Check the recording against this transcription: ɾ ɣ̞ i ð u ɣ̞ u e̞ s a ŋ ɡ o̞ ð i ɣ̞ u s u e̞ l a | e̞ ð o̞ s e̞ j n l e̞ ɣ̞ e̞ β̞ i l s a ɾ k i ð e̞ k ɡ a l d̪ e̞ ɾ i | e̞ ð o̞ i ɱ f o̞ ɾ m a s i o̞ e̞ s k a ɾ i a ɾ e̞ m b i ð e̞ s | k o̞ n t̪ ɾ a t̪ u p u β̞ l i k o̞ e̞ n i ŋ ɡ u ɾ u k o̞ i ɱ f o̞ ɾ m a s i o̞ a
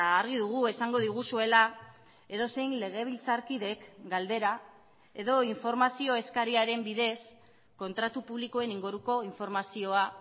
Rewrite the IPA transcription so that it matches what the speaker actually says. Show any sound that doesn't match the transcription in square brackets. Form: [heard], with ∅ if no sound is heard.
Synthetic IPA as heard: ɾ ɣ̞ i ð u ɣ̞ u e̞ s a ŋ ɡ o̞ ð i ɣ̞ u s u e̞ l a | e̞ ð o̞ s e̞ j n l e̞ ɣ̞ e̞ β̞ i l [t͡s] a ɾ k i ð e̞ k ɡ a l d̪ e̞ ɾ [a] | e̞ ð o̞ i ɱ f o̞ ɾ m a s i o̞ e̞ s k a ɾ i a ɾ e̞ m b i ð e̞ s | k o̞ n t̪ ɾ a t̪ u p u β̞ l i k o̞ e̞ n i ŋ ɡ u ɾ u k o̞ i ɱ f o̞ ɾ m a s i o̞ a